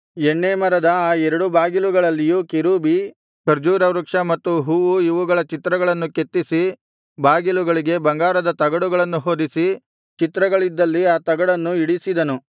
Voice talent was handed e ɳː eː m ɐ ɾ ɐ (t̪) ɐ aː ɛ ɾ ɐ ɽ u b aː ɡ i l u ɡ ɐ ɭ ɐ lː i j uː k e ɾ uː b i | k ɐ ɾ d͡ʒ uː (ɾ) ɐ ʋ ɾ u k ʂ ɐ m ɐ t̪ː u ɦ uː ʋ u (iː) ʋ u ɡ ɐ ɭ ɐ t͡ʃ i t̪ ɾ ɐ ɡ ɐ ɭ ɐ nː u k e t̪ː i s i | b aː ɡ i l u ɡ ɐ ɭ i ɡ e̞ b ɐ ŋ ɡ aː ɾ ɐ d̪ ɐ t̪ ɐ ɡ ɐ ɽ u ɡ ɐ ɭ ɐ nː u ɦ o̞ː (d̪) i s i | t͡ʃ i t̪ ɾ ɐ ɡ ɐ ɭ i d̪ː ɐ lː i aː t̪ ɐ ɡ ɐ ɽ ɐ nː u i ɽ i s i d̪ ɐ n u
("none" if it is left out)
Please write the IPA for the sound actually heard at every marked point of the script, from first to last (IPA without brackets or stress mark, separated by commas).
d̪, ɾ, i, d̪